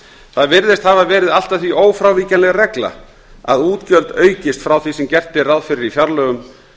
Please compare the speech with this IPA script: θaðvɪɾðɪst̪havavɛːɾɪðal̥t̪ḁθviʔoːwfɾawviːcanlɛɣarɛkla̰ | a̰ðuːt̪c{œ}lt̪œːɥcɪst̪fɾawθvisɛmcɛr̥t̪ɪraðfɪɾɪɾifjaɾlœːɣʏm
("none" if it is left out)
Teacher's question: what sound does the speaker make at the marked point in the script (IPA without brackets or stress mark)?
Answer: œ